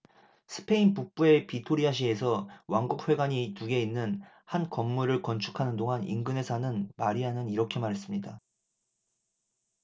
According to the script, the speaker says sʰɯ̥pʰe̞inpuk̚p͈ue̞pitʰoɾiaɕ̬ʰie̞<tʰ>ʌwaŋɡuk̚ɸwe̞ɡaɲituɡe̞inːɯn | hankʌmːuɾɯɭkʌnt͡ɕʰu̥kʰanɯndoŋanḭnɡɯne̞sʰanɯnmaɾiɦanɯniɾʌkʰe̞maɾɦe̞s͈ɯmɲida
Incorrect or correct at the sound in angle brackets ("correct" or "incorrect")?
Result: incorrect